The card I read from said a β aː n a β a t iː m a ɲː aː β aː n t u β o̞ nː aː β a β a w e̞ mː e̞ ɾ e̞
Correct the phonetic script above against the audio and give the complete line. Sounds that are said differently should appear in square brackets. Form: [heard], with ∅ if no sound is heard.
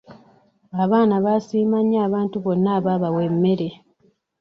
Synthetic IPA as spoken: a β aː n a β a [s] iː m a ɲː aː β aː n t u β o̞ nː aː β a β a w e̞ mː e̞ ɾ e̞